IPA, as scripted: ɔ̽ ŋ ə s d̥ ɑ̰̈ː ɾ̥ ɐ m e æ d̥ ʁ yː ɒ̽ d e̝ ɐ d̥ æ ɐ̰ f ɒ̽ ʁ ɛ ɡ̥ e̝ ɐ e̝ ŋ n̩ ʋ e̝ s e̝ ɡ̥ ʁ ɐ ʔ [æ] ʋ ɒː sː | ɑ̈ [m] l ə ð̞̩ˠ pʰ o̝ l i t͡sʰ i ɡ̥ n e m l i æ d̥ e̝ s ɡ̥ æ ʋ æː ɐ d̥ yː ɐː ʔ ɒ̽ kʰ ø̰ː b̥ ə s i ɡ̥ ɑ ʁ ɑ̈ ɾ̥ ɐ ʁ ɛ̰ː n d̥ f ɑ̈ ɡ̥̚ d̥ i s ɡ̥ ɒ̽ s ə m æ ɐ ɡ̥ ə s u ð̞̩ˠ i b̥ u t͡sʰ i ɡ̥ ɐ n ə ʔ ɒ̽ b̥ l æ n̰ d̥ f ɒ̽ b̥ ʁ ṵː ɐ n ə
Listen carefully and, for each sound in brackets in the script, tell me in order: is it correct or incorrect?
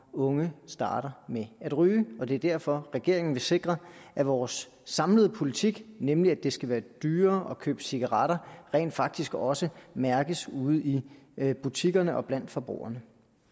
correct, correct

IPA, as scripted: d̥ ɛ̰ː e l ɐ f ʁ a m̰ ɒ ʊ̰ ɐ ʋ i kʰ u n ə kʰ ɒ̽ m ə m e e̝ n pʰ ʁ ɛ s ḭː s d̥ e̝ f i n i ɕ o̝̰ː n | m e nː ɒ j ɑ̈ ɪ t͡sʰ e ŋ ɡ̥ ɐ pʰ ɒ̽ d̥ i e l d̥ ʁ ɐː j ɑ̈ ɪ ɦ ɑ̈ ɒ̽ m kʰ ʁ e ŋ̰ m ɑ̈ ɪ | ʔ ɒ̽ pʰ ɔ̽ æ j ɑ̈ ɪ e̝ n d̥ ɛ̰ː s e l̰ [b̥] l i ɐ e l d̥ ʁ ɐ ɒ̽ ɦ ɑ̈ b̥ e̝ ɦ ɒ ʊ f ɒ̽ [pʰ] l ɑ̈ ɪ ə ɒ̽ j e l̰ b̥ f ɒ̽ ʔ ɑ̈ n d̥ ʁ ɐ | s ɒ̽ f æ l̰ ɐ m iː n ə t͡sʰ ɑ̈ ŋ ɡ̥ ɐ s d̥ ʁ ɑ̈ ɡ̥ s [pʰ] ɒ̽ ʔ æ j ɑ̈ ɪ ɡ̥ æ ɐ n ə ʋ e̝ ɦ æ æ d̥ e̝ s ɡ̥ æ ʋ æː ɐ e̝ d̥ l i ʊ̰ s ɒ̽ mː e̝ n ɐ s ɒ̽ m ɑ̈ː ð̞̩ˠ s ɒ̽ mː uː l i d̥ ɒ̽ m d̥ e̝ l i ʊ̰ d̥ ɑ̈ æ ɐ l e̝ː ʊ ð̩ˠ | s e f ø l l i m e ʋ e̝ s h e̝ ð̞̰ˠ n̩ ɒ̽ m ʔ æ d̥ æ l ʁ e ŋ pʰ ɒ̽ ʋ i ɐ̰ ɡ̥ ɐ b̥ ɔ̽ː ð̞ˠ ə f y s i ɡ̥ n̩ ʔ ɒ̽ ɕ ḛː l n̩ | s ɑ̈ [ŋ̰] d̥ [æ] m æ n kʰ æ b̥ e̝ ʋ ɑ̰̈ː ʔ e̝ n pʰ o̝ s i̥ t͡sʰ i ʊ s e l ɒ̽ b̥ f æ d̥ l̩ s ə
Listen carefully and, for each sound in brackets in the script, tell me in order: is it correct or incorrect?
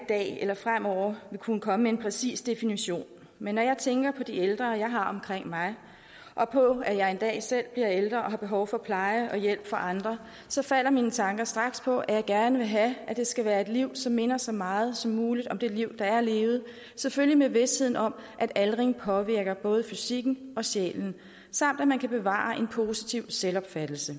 correct, correct, correct, incorrect: m̰, correct

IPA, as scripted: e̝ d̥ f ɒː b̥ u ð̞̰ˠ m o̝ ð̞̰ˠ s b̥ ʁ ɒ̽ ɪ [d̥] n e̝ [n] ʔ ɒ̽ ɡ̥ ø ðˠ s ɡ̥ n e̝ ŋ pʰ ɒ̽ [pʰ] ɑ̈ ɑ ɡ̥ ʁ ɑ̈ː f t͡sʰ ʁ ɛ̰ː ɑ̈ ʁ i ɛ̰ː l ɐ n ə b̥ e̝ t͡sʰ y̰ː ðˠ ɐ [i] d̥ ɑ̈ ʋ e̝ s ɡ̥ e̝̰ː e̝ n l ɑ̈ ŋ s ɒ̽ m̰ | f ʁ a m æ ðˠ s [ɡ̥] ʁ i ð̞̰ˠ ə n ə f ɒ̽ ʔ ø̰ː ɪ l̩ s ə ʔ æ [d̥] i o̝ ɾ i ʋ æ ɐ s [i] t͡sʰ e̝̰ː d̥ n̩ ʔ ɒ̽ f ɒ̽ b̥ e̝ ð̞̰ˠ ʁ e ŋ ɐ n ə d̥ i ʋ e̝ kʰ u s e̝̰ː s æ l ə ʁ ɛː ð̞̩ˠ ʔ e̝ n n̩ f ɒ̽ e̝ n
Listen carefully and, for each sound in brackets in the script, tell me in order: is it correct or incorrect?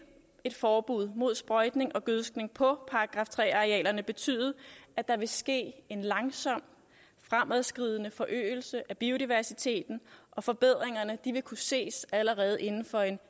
correct, incorrect: ŋ, correct, incorrect: æ, correct, incorrect: b̥, correct

